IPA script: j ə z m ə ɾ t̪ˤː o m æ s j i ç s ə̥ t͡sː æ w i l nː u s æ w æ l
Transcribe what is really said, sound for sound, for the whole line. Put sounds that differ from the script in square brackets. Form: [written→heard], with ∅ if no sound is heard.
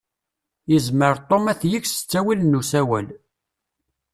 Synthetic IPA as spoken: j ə z m ə ɾ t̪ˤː o m æ [s→θ] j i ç s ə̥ t͡sː æ w i l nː u s æ w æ l